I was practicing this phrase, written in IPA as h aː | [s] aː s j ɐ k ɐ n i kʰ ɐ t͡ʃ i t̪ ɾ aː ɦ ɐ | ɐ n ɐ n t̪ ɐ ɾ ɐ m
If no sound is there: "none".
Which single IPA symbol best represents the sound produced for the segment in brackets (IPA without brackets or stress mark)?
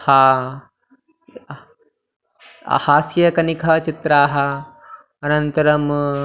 h